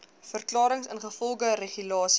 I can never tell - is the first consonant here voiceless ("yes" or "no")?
yes